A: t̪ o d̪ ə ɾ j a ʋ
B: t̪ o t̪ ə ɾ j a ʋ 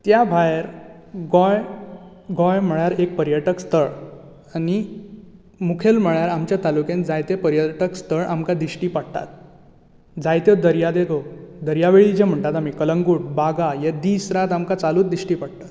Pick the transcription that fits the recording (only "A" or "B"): A